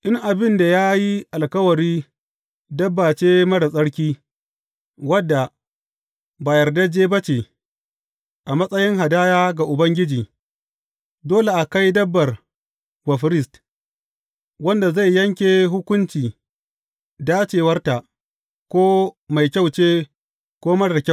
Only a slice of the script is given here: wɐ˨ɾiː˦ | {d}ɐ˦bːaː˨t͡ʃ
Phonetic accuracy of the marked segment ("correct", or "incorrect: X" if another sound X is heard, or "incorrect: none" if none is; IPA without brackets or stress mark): correct